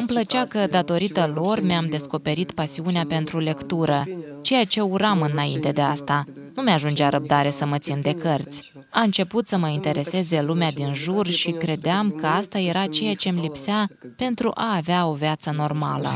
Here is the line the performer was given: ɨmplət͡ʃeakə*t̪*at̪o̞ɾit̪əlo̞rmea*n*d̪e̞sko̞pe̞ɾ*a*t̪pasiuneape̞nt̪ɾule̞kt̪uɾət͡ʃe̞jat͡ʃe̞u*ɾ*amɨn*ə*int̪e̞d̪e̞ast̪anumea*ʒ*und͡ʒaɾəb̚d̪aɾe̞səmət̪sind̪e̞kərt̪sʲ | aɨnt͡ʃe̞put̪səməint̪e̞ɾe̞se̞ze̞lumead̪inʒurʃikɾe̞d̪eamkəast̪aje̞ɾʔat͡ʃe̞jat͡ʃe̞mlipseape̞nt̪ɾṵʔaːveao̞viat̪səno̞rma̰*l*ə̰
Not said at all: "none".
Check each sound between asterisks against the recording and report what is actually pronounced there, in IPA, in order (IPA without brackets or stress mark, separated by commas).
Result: d̪, m, i, ɾ, a, ʒ, l